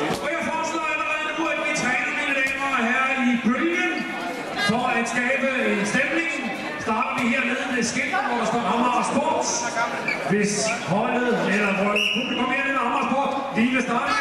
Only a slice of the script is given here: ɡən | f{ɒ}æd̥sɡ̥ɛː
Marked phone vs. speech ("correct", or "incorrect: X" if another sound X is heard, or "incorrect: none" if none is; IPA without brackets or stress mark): correct